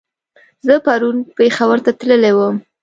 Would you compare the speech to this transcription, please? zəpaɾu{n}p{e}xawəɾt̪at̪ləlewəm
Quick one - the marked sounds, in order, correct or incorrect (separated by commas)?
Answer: correct, correct